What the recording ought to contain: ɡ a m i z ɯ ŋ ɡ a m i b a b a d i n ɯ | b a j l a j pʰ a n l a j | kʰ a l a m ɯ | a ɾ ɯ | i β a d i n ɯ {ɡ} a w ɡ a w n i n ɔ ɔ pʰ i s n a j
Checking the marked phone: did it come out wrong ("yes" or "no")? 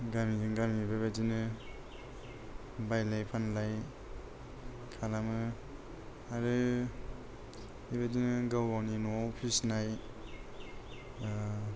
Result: no